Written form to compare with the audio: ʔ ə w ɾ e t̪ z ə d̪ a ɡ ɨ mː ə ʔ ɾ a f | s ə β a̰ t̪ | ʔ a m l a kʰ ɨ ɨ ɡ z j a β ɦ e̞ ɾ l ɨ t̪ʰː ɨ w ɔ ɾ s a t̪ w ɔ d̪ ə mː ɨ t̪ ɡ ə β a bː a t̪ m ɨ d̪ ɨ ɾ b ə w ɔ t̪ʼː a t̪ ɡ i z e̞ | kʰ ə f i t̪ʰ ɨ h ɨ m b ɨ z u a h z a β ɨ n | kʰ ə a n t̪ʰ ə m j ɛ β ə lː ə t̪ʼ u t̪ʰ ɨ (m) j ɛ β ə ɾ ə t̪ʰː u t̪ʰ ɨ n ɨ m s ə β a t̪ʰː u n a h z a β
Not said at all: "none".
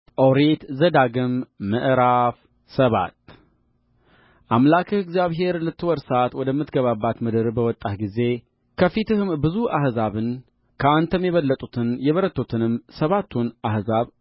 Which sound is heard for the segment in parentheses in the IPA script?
n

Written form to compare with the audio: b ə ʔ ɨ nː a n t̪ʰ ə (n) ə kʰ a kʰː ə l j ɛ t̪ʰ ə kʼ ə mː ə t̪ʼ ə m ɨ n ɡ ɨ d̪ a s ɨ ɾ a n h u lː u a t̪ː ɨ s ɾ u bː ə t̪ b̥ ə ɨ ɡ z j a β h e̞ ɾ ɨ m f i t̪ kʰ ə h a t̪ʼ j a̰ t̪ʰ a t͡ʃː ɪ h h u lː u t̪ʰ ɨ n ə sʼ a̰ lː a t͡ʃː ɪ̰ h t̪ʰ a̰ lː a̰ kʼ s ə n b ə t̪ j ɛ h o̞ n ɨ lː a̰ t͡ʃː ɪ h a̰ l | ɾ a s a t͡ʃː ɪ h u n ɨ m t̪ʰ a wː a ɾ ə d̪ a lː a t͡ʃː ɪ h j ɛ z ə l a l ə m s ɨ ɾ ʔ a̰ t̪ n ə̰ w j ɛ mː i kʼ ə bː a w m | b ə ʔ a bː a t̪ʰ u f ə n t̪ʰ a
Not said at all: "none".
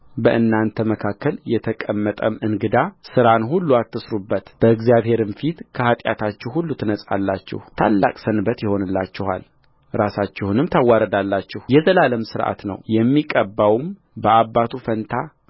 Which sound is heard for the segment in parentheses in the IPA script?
m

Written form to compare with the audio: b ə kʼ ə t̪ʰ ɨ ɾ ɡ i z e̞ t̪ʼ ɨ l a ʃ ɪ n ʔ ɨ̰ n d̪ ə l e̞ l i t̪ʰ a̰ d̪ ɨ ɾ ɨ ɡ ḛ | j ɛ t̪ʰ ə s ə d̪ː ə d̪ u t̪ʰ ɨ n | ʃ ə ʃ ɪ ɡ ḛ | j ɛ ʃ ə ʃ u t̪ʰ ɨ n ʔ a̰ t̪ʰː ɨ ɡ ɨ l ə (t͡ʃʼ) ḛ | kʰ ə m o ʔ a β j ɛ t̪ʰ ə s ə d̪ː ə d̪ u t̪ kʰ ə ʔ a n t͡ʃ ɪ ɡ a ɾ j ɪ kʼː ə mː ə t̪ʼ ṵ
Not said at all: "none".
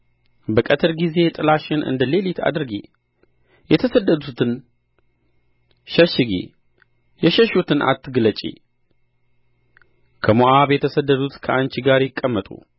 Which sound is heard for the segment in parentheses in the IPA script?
t͡ʃʼ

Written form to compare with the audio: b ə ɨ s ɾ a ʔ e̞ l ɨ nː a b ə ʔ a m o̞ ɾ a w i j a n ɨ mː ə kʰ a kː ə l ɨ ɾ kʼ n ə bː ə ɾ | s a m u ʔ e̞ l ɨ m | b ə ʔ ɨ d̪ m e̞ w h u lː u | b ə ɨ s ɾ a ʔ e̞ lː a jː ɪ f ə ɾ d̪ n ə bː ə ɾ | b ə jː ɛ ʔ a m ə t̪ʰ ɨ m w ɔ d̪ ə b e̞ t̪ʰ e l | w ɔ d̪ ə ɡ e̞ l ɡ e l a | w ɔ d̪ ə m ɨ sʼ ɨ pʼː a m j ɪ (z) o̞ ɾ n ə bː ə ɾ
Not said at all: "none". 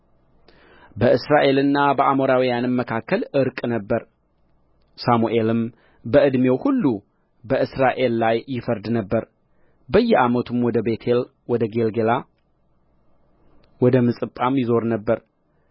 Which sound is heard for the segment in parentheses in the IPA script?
z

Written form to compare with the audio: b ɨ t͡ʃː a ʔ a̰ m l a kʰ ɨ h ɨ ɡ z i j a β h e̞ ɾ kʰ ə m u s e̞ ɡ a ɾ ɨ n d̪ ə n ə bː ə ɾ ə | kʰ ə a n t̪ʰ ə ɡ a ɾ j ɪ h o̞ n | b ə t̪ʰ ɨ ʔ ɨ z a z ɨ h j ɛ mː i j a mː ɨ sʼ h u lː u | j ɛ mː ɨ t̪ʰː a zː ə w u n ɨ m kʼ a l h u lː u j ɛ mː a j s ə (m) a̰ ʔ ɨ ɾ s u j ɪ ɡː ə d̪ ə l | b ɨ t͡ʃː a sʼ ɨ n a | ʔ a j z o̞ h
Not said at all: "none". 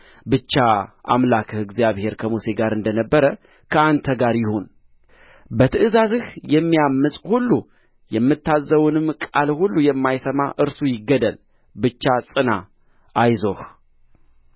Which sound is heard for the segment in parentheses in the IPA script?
m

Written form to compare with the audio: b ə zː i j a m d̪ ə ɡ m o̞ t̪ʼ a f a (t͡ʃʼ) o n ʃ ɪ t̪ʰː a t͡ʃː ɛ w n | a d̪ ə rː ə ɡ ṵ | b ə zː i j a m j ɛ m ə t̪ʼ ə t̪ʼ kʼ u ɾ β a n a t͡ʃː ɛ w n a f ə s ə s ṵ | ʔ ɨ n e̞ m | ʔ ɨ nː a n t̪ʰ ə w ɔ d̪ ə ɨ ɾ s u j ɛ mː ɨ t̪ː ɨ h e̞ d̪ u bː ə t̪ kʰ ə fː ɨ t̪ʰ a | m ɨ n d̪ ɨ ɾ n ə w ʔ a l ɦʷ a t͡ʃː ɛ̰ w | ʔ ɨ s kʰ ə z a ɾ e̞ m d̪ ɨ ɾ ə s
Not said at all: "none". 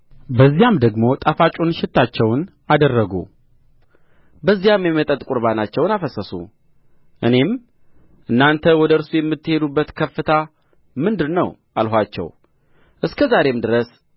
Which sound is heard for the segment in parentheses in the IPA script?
t͡ʃʼ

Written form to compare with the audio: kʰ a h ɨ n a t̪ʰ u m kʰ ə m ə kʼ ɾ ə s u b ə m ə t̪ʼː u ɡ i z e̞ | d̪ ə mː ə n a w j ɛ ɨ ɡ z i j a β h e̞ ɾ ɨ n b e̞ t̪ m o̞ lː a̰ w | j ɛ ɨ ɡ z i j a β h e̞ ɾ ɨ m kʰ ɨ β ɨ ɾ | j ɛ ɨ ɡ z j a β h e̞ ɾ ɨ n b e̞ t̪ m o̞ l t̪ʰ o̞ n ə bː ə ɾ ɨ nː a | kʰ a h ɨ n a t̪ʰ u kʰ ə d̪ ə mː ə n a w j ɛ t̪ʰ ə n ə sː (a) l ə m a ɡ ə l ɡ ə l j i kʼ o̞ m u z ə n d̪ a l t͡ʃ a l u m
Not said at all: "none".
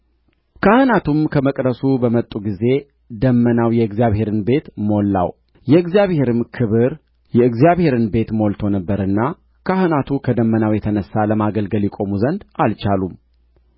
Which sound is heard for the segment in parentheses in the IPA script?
a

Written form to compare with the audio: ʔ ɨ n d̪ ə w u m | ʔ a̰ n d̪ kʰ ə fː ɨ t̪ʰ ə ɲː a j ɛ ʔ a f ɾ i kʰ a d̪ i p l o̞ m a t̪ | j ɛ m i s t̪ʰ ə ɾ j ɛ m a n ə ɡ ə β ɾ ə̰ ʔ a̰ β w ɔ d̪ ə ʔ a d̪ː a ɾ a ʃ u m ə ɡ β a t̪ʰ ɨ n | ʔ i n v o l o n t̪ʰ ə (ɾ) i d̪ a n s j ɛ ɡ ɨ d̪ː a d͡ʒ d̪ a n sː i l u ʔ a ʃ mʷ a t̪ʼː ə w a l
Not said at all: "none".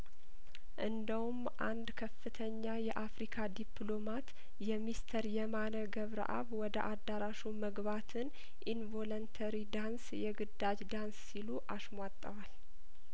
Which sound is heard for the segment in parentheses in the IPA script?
ɾ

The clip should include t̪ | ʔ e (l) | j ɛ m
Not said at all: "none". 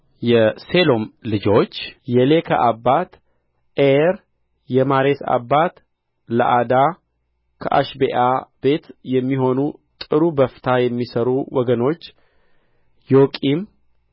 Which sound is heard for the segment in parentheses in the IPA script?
ɾ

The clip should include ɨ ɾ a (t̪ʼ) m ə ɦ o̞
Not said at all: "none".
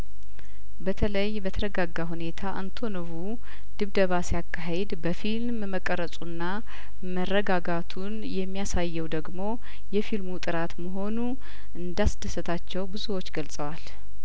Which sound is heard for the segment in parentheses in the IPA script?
t̪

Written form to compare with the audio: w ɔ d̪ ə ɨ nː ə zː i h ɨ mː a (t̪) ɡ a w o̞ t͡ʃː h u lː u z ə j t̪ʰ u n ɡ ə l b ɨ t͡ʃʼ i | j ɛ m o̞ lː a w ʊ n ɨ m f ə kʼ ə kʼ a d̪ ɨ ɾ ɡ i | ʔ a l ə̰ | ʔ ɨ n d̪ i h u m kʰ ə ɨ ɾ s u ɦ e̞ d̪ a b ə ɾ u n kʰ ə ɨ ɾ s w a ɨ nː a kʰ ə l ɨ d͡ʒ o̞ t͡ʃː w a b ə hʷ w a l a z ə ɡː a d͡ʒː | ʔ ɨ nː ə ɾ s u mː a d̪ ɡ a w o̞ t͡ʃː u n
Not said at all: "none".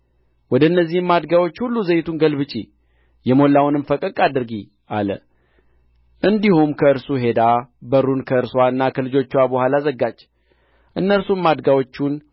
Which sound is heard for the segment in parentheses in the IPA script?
d̪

